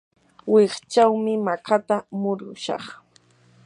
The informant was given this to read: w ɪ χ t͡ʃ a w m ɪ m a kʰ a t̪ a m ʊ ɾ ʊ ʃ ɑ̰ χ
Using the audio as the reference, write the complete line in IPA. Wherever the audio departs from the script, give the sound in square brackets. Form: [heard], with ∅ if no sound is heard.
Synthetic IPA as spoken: w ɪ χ t͡ʃ a w m ɪ m a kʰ a t̪ a m ʊ ɾ ʊ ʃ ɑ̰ χ